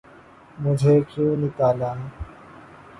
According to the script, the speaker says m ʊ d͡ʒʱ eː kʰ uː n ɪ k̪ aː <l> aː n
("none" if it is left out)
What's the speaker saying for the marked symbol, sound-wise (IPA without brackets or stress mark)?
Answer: l